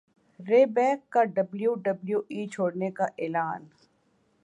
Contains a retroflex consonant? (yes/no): yes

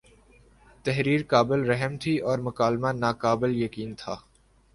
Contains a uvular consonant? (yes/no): no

